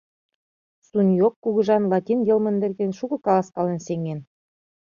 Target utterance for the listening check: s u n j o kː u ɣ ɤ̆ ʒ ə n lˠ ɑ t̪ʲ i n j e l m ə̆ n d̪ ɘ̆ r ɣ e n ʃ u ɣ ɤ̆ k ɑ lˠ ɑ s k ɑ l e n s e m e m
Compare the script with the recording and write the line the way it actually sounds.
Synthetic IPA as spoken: s u n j o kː u ɣ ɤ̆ ʒ ɑ n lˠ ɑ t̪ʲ i n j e l m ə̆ n d̪ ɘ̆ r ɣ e n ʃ u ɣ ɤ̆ k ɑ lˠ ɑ s k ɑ l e n s e ŋ e n